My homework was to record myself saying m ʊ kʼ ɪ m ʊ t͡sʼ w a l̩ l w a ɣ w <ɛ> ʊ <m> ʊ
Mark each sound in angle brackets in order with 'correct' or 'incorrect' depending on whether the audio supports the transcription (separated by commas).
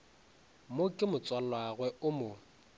correct, correct